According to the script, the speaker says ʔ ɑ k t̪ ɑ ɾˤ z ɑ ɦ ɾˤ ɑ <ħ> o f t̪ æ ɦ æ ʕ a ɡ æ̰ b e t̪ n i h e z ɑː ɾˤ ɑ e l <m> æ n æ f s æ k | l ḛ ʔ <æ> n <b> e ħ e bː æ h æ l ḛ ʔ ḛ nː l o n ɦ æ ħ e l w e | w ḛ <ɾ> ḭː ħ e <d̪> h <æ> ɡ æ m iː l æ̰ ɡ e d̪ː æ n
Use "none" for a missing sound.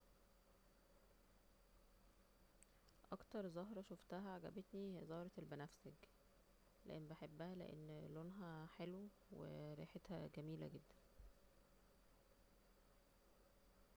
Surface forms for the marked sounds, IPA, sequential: ʃ, b, e, b, ɾ, t̪, æ

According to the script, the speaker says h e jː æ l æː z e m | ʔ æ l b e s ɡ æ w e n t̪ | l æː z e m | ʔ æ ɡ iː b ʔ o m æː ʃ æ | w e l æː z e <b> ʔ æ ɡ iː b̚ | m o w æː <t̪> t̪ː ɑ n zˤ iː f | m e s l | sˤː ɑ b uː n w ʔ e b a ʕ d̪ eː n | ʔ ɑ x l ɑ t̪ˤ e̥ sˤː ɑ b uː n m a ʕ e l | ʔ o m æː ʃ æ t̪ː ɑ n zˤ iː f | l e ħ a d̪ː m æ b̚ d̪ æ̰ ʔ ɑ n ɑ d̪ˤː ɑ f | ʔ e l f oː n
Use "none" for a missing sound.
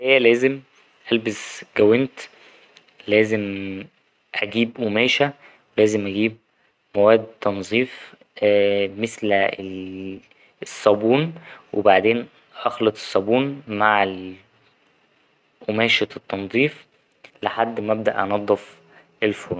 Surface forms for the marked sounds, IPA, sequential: m, d̪

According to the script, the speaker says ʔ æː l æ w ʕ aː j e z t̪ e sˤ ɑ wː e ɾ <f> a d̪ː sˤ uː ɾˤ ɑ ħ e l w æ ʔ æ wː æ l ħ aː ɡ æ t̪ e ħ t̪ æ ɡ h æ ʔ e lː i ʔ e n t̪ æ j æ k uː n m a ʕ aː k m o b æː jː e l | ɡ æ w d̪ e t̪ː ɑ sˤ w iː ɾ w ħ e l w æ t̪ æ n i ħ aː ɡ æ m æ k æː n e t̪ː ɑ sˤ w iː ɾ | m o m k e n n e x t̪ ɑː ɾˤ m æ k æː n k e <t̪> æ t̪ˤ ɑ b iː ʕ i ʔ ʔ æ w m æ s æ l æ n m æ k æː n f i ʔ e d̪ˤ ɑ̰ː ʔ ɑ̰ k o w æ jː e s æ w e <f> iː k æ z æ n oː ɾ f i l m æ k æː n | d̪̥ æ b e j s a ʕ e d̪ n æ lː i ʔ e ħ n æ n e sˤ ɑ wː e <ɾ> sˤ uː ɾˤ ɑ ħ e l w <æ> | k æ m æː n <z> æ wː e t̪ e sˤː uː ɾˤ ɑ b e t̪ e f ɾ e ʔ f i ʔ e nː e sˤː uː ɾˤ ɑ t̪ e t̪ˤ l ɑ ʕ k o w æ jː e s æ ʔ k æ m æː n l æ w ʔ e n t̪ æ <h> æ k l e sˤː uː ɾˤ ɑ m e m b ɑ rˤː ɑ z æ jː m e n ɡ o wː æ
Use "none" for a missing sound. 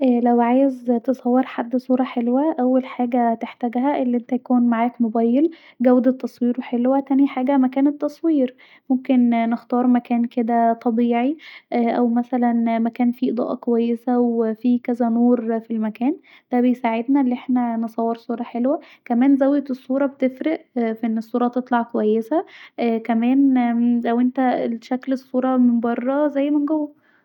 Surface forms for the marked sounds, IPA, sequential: ħ, d̪, f, ɾ, æ, z, ʃ

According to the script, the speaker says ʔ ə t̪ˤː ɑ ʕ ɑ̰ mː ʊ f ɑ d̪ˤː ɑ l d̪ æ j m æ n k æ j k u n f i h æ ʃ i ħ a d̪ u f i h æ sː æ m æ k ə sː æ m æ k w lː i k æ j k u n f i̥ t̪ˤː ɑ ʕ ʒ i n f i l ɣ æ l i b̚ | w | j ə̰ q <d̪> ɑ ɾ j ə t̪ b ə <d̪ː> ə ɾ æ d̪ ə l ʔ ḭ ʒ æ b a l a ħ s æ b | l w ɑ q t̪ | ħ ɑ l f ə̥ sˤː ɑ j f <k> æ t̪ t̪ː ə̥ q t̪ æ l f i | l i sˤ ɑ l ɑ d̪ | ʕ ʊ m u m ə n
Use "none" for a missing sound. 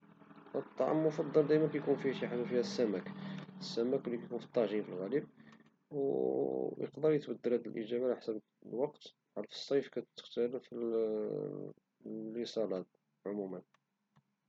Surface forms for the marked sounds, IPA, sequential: d̪, d̪ː, k

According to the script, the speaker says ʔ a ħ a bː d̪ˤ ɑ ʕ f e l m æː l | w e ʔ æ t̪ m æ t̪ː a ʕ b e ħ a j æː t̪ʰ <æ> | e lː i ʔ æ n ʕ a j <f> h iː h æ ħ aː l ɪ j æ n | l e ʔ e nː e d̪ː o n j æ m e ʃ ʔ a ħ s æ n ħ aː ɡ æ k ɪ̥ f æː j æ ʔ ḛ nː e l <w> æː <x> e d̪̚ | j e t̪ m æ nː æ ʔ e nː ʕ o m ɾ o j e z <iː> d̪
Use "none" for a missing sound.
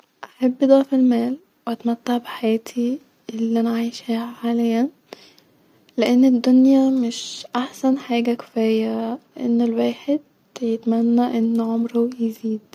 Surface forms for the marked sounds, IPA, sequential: i, ʃ, w, ħ, iː

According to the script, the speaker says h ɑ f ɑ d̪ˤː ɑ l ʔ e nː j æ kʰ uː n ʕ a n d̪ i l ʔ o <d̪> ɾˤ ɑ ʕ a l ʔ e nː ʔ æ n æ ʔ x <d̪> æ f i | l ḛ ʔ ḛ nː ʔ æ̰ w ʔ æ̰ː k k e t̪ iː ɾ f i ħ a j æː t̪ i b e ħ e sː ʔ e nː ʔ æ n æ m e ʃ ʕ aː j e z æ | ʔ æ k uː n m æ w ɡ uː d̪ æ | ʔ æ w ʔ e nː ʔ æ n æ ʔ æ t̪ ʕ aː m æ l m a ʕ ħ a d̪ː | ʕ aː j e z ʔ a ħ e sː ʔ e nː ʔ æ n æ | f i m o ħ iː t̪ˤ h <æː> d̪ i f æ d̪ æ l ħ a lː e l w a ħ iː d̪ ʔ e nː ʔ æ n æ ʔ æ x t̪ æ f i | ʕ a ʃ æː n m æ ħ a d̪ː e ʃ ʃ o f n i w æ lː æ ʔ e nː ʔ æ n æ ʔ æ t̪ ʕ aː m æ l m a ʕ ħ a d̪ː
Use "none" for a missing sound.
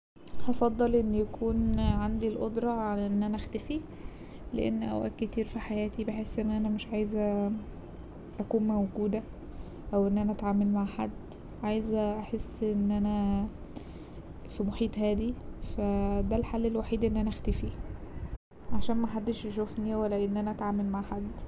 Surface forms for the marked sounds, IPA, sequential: d̪, t̪, æː

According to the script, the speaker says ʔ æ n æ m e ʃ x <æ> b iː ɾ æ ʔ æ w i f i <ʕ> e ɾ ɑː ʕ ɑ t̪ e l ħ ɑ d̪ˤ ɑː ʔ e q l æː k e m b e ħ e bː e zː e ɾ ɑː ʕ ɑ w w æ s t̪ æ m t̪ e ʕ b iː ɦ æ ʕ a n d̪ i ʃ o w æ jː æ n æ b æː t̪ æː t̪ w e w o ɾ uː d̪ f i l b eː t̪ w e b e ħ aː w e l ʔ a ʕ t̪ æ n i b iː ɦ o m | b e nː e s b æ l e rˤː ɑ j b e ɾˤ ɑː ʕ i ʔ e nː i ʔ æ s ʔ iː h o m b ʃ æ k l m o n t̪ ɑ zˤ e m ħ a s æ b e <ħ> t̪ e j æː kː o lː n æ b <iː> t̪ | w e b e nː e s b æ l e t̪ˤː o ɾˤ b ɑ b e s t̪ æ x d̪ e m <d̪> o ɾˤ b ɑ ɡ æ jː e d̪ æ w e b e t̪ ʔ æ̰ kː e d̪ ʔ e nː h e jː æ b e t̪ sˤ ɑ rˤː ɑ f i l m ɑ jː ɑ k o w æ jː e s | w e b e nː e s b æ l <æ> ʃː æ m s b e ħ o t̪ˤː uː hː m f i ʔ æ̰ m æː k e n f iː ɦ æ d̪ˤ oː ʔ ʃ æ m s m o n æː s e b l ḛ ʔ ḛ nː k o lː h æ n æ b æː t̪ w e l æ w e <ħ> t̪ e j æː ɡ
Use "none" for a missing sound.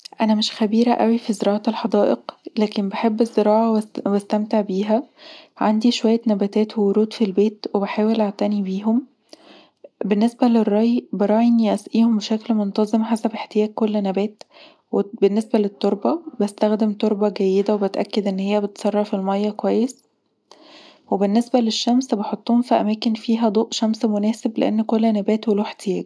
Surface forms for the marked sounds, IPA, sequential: æ, z, ħ, æː, t̪, e, ħ

